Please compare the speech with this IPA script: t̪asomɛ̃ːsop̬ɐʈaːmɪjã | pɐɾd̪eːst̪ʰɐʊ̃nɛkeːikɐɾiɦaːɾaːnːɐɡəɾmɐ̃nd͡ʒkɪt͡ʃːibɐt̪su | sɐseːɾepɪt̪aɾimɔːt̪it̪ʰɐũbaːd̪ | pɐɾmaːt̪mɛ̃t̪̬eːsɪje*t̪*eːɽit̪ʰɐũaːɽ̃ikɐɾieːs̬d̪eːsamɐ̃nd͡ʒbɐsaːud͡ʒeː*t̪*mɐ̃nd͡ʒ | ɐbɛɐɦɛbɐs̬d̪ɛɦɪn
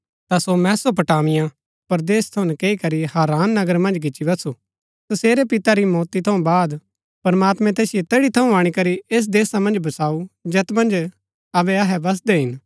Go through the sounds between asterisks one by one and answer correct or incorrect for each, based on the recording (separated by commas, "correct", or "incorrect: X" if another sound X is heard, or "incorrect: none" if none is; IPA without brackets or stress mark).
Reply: correct, correct